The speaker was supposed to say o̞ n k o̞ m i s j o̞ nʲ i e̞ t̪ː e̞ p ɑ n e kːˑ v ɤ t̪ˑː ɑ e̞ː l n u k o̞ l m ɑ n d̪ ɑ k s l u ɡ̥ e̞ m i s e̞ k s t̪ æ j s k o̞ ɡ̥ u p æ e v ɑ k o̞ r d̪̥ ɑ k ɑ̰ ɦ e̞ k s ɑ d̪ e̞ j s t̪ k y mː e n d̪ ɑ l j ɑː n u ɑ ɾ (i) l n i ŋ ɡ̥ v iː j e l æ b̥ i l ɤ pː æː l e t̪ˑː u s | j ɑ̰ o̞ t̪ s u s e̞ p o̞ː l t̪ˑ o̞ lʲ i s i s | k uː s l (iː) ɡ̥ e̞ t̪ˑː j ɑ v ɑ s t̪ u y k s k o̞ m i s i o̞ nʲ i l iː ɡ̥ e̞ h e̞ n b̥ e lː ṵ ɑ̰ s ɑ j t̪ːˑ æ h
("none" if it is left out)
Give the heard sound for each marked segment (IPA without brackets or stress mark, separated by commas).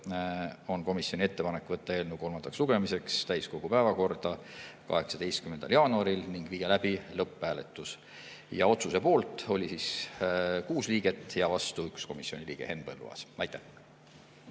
i, iː